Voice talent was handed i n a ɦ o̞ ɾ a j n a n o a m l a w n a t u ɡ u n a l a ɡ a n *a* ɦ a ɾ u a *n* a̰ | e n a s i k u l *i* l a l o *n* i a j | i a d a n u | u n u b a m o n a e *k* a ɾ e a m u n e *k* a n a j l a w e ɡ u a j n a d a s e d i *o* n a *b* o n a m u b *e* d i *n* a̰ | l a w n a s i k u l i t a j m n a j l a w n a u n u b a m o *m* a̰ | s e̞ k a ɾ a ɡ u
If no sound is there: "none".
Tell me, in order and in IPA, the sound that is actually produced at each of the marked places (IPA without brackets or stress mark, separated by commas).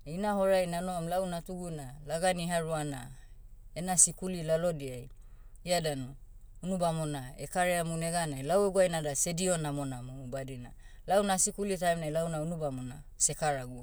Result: i, n, i, d, k, ɡ, o, m, a, n, n